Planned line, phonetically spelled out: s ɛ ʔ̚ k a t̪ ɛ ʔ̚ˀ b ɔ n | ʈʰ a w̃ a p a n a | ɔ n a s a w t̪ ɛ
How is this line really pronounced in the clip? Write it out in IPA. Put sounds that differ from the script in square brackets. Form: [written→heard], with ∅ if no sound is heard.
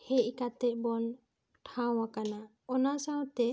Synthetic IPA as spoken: [s→h] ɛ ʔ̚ k a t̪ ɛ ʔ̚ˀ b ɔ n | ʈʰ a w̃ a [p→k] a n a | ɔ n a s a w t̪ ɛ